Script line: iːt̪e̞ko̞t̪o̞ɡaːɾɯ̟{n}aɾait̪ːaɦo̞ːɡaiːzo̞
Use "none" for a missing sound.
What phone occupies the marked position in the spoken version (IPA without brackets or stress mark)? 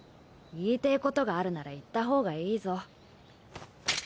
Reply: n